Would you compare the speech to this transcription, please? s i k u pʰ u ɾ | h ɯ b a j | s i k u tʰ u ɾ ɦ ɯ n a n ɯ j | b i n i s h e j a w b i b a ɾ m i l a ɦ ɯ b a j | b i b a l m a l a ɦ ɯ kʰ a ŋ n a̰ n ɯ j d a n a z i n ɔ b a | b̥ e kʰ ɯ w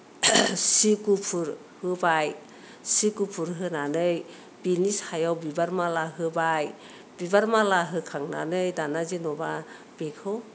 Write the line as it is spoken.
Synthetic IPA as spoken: s i k u pʰ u ɾ | h ɯ b a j | s i k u pʰ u ɾ ɦ ɯ n a n ɯ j | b i n i s h a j a w b i b a ɾ m a l a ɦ ɯ b a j | b i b a ɾ m a l a ɦ ɯ kʰ a ŋ n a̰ n ɯ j d a n a z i n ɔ b a | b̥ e kʰ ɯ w